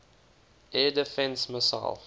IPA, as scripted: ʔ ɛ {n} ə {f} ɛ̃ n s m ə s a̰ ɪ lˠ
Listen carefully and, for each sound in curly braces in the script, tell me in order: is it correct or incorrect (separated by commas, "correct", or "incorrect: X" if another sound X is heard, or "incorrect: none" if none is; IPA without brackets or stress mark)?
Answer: incorrect: d, correct